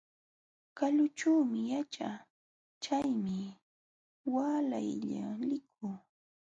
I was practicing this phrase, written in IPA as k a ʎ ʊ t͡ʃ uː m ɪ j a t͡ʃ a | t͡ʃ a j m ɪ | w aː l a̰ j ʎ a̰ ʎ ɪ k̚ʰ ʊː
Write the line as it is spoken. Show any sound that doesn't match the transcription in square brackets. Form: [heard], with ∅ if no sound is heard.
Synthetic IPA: k a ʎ ʊ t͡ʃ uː m ɪ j a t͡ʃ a | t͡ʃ a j m ɪ | w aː l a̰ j ʎ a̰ [l] ɪ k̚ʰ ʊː